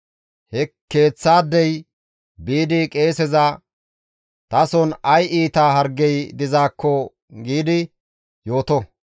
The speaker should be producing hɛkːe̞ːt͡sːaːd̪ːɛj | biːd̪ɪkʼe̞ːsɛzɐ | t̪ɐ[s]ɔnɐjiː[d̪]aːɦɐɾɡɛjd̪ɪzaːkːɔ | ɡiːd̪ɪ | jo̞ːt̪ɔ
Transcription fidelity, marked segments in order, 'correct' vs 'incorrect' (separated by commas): correct, incorrect